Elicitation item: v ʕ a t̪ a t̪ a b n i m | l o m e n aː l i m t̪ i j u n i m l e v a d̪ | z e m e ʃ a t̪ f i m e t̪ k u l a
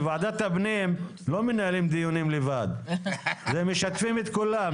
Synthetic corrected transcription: v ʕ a d̪ a t̪ a b n i m | l o m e n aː l i m d̪ i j u n i m l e v a d̪ | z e m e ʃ a t̪ f i m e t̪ k u l a